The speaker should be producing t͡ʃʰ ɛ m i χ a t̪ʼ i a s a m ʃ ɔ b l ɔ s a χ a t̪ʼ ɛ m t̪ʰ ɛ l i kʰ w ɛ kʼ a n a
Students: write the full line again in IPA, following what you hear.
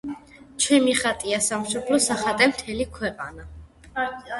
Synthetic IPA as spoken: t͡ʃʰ ɛ m i χ a t̪ʼ i a s a m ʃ ɔ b l ɔ s a χ a t̪ʼ ɛ m t̪ʰ ɛ l i kʰ w ɛ qʼ a n a